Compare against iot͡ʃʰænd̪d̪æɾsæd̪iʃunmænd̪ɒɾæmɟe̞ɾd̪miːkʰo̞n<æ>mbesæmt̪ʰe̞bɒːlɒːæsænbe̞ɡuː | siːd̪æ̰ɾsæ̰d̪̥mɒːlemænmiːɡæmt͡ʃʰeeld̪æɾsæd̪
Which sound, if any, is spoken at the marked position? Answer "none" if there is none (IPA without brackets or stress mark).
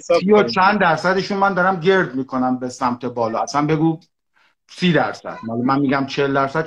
æ